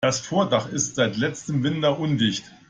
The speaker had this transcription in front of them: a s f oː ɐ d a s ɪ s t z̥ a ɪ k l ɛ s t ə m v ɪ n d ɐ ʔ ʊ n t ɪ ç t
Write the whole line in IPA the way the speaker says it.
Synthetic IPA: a s f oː ɐ d a χ ɪ s t z̥ a ɪ t l ɛ t͡s t ə m v ɪ n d ɐ ʔ ʊ n d ɪ ç t